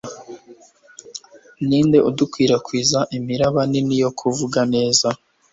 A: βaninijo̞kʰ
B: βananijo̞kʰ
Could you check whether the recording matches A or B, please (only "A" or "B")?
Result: A